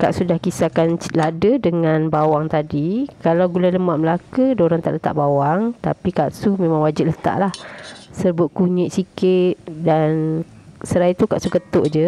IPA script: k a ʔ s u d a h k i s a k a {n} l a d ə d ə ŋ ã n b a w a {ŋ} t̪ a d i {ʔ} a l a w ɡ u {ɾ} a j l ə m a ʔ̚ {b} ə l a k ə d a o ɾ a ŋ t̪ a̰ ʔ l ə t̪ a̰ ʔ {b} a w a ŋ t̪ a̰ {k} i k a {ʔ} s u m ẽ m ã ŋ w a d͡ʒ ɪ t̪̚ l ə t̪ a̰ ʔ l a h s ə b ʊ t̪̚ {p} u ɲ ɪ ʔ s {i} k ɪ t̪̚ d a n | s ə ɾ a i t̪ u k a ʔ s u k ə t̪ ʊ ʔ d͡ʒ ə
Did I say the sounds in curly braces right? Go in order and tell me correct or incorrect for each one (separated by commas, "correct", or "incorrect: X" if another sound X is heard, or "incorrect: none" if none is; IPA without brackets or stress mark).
correct, correct, incorrect: k, incorrect: l, incorrect: m, correct, incorrect: p, correct, incorrect: k, correct